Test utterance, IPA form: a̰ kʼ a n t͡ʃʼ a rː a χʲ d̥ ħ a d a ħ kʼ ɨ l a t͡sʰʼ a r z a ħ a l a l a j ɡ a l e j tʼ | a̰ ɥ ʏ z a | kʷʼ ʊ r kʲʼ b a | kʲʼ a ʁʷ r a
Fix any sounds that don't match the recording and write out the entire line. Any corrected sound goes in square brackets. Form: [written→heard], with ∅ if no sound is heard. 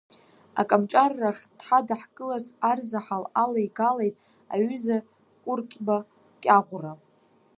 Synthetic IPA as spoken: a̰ kʼ a [n→m] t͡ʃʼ a rː a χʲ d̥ ħ a d a ħ kʼ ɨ l a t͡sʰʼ a r z a ħ a l a l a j ɡ a l e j tʼ | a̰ ɥ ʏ z a | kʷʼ ʊ r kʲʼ b a | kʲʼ a ʁʷ r a